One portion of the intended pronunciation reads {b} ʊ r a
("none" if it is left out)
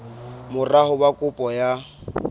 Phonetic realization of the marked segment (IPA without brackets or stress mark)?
m